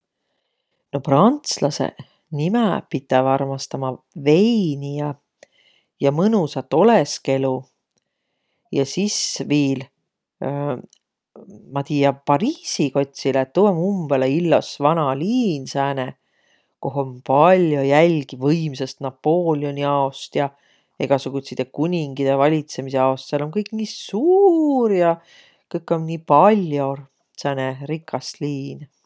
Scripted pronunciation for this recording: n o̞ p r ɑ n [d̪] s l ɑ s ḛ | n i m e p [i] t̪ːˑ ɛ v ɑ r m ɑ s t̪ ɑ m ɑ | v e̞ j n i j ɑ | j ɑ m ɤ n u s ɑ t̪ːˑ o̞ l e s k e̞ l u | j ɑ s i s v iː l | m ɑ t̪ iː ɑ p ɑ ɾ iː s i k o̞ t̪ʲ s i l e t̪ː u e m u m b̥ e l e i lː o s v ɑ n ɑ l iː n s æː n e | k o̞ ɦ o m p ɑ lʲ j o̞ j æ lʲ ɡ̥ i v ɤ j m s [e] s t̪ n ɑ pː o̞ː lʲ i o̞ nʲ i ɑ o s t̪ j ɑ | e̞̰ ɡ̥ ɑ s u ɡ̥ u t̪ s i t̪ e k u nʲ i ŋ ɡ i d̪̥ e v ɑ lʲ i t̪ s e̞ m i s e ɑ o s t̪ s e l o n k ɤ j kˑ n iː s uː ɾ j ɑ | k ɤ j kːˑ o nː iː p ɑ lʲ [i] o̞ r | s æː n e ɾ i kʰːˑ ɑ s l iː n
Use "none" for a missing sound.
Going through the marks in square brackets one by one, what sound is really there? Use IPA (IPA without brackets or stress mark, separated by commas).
t̪, i, e, j